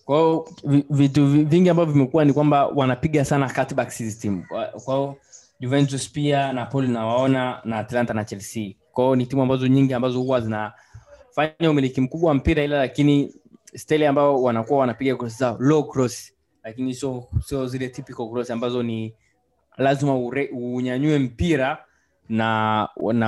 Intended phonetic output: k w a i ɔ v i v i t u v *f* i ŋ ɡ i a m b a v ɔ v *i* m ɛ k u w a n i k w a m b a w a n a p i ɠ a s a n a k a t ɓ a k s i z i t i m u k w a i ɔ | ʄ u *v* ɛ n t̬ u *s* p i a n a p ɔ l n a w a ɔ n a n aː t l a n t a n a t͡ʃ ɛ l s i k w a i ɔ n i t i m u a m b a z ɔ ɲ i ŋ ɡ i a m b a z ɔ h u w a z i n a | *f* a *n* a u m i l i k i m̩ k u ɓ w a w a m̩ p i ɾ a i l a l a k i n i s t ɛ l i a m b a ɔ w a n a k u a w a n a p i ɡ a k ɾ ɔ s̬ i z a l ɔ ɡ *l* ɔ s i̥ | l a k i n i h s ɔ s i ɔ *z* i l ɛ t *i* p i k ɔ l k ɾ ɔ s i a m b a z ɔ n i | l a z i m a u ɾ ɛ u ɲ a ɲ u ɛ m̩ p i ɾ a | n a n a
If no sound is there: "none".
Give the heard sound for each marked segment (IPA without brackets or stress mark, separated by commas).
v, i, v, s, f, ɲ, ɾ, z, i